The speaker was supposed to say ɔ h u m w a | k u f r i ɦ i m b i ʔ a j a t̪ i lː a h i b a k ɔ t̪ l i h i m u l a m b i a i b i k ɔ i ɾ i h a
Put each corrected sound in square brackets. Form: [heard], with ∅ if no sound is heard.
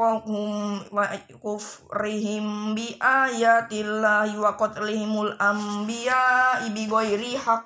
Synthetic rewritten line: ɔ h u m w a | k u f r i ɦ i m b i ʔ a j a t̪ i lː a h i [w] a k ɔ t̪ l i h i m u l a m b i a i b i [ɡ] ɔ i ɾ i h a